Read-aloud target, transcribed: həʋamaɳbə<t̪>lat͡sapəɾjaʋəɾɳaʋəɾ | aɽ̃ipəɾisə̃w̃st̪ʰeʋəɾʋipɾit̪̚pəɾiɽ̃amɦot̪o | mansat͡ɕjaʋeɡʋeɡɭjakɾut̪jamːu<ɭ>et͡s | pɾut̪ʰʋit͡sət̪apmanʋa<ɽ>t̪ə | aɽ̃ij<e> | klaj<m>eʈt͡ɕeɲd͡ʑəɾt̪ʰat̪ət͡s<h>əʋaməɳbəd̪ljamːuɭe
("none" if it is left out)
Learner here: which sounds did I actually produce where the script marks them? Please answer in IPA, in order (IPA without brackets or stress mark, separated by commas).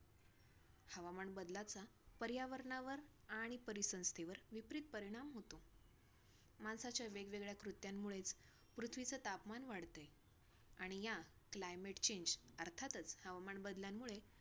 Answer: d̪, ɭ, ɽ, a, m, h